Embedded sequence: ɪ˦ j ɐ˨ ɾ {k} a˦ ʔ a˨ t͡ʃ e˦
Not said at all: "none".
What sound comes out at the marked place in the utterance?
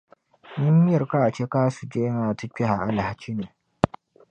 k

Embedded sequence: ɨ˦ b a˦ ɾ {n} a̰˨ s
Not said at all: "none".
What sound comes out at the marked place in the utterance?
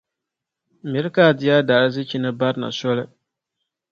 n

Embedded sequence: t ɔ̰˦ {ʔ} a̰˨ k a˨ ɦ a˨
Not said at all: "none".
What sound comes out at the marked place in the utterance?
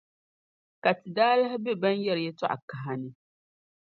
ʔ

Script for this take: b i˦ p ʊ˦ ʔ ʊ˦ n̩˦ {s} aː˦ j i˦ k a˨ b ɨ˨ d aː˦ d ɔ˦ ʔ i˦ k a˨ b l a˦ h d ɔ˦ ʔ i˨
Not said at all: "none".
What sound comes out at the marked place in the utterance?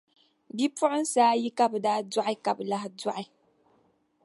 s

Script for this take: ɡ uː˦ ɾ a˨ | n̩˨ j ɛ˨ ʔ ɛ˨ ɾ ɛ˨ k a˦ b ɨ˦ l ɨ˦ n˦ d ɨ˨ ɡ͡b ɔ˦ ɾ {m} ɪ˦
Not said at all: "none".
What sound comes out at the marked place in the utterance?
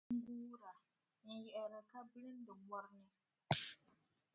n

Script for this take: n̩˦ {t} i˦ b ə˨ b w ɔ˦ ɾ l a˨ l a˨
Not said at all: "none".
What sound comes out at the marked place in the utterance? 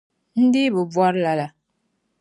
d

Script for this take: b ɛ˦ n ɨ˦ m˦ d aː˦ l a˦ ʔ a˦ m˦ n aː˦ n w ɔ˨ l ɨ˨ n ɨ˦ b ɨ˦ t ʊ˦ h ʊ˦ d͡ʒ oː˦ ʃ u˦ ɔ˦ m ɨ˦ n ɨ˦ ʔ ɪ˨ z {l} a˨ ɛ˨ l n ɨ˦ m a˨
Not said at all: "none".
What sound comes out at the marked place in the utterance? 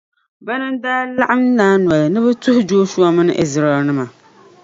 ɾ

